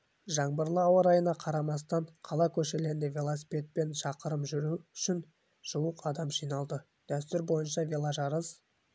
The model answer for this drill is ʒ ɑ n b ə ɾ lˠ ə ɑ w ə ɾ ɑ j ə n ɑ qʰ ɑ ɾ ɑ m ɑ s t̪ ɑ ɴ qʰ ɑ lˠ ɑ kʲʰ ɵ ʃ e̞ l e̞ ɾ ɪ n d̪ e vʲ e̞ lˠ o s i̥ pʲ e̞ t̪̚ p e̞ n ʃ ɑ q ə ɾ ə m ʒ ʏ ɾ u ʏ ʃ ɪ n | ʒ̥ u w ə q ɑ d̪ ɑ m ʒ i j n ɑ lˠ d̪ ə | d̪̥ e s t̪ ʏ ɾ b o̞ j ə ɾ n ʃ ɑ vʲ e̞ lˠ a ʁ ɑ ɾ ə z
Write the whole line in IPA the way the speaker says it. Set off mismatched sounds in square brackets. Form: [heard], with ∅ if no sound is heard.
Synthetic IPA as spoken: ʒ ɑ [ɴ] b ə ɾ lˠ ə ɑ w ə ɾ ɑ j ə n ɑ qʰ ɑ ɾ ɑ m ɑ s t̪ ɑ ɴ qʰ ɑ lˠ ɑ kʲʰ ɵ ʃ e̞ l e̞ ɾ ɪ n d̪ e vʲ e̞ lˠ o s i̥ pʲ e̞ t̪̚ p e̞ n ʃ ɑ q ə ɾ ə m ʒ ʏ ɾ u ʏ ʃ ɪ n | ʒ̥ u w ə q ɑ d̪ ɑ m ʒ i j n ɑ lˠ d̪ ə | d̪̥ [æ] s t̪ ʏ ɾ b o̞ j ə [∅] n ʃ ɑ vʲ e̞ lˠ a [ʒ] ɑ ɾ ə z